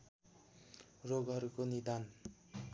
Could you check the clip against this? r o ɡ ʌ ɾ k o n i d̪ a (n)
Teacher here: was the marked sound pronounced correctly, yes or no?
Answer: yes